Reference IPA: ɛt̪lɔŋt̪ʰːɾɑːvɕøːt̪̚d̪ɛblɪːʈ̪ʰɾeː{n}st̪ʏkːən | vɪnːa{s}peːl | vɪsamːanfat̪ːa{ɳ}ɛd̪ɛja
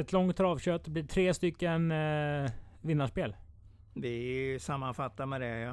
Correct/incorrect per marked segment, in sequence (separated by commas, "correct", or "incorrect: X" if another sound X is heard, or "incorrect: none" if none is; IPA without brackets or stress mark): incorrect: none, incorrect: ʂ, incorrect: m